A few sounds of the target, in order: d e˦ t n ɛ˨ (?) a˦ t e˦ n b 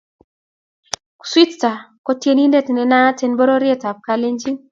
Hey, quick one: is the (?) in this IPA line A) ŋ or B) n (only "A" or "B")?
B